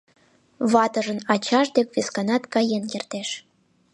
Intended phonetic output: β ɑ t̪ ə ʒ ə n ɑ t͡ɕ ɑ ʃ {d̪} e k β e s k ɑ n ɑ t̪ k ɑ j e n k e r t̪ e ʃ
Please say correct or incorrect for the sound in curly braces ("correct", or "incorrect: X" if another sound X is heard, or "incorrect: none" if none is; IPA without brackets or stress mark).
correct